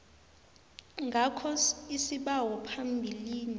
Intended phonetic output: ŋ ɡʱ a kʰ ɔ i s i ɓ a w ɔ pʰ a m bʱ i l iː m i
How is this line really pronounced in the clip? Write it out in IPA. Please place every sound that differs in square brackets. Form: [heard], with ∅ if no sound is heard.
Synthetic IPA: ŋ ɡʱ a kʰ ɔ i s i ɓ a w ɔ pʰ a m bʱ i l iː [n] i